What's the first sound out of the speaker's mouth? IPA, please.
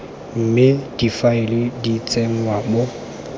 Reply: m̩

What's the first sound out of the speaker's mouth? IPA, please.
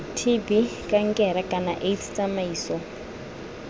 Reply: tʰ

